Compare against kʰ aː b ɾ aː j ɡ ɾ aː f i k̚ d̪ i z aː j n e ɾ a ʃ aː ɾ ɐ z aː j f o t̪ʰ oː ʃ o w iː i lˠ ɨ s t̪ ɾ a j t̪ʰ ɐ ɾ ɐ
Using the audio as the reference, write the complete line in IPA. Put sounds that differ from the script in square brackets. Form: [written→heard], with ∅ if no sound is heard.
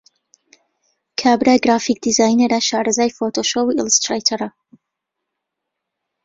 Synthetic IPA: kʰ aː b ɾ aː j ɡ ɾ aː f i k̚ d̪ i z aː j n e ɾ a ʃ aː ɾ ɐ z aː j f o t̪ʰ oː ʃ o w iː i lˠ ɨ s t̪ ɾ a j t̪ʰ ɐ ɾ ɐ

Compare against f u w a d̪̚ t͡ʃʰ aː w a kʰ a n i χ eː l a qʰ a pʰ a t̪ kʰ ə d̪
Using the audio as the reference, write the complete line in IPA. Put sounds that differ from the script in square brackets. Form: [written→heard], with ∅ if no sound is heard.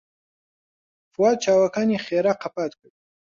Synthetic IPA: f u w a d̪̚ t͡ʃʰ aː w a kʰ a n i χ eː [l→ɾ] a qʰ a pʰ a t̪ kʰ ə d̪

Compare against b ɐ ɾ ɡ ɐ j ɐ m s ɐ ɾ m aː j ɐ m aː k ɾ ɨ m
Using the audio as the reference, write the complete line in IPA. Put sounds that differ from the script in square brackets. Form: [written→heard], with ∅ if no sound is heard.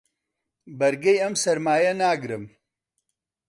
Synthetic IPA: b ɐ ɾ ɡ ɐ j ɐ m s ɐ ɾ m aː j ɐ [m→n] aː [k→ɡ] ɾ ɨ m

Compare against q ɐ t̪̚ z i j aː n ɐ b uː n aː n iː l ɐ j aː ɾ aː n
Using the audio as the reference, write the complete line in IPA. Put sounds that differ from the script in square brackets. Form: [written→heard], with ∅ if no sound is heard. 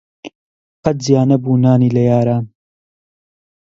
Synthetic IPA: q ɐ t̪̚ z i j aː n ɐ b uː n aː n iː l ɐ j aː ɾ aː n

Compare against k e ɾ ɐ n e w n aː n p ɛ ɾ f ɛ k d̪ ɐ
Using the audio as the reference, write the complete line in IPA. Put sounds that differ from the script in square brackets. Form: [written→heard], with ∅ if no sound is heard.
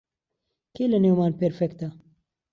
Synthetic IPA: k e [ɾ→l] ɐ n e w [n→m] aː n p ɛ ɾ f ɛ k [d̪→t̪] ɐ

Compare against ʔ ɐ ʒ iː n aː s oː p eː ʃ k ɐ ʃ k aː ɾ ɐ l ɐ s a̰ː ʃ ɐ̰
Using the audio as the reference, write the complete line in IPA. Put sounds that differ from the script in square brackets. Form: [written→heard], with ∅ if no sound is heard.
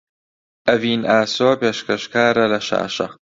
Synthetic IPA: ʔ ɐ [ʒ→v] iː n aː s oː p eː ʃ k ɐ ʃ k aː ɾ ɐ l ɐ [s→ʃ] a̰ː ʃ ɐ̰

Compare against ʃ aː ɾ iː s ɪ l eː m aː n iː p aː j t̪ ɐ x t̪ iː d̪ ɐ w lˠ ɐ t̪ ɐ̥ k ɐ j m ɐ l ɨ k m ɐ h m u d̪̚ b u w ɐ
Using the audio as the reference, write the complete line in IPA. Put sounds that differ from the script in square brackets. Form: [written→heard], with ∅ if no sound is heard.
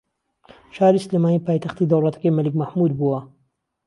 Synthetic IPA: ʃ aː ɾ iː s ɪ l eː m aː n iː p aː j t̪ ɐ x t̪ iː d̪ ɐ w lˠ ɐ t̪ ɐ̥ k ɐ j m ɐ l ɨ k m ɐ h m u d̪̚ b u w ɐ

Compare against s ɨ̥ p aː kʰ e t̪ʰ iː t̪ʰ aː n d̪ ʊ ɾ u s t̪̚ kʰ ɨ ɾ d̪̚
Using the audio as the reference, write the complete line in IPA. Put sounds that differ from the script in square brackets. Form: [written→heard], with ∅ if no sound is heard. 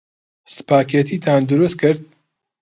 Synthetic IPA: s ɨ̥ p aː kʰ e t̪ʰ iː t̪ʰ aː n d̪ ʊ ɾ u s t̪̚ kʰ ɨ ɾ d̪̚

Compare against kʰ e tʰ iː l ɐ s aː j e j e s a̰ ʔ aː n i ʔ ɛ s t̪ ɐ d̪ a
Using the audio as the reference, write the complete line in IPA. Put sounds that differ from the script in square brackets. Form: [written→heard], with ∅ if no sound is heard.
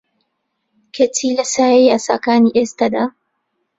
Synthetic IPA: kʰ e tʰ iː l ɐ s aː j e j [e→a] s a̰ [ʔ→k] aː n i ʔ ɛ s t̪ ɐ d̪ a

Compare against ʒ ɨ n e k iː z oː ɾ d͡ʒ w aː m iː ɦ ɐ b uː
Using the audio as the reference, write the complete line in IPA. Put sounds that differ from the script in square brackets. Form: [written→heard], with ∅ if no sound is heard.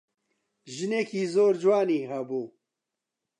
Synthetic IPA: ʒ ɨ n e k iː z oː ɾ d͡ʒ w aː [m→n] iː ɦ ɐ b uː

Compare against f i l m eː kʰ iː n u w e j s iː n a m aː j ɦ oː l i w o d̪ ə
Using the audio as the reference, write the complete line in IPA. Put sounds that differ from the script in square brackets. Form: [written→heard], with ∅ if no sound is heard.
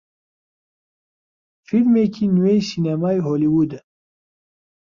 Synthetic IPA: f i l m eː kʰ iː n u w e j s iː n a m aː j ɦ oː l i w [o→u] d̪ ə

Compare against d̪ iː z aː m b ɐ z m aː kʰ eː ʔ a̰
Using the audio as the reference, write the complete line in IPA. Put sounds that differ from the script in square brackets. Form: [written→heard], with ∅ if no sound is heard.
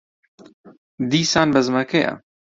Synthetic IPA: d̪ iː [z→s] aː [m→n] b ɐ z m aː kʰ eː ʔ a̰

